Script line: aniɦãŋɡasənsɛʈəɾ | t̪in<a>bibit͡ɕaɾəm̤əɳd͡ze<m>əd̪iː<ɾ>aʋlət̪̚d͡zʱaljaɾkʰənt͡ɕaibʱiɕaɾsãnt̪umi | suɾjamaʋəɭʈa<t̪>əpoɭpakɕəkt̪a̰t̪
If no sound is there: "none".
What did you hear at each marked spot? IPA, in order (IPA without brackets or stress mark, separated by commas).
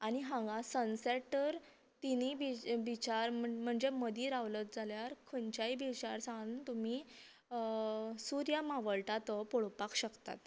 i, m, ɾ, t̪